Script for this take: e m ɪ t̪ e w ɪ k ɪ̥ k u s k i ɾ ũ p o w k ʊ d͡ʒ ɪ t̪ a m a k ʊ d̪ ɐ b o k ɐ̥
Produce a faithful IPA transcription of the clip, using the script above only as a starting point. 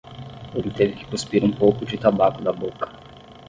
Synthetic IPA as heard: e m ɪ t̪ e v ɪ k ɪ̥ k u s p i ɾ ũ p o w k ʊ d͡ʒ ɪ t̪ a b a k ʊ d̪ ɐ b o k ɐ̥